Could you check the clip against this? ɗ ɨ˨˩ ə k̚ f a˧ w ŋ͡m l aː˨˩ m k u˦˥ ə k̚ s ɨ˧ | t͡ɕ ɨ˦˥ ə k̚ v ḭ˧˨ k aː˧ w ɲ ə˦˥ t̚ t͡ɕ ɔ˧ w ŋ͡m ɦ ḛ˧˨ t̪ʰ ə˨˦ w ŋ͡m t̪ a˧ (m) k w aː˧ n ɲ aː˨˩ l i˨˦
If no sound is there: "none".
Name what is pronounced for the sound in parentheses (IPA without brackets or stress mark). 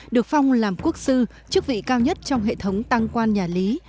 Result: ŋ